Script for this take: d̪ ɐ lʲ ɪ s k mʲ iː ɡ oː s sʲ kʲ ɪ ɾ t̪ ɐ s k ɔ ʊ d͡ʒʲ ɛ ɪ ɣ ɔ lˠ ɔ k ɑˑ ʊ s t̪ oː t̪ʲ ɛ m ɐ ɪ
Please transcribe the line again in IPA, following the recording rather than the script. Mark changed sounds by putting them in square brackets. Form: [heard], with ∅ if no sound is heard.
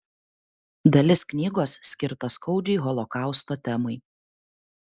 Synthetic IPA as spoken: d̪ ɐ lʲ ɪ s k [nʲ] iː ɡ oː s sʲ kʲ ɪ ɾ t̪ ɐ s k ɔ ʊ d͡ʒʲ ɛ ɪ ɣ ɔ lˠ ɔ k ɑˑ ʊ s t̪ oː t̪ʲ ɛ m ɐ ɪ